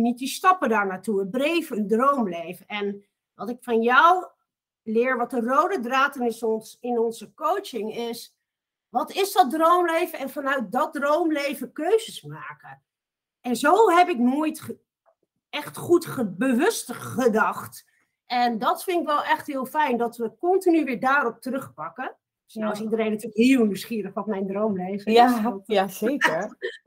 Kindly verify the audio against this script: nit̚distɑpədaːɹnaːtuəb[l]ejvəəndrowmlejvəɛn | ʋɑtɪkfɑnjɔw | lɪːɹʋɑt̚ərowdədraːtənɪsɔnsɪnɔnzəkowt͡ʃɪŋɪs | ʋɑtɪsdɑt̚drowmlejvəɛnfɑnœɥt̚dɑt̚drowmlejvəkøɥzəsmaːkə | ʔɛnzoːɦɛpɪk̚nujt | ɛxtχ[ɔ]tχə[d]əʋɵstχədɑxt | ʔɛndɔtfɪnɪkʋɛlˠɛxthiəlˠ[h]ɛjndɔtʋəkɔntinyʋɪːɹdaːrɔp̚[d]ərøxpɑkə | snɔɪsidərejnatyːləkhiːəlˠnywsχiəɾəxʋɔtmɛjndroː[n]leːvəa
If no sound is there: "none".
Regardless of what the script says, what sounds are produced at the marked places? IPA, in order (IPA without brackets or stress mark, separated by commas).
r, u, b, f, t, m